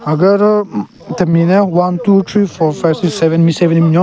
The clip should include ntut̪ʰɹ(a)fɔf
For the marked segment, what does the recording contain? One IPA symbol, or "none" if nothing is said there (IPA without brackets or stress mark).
i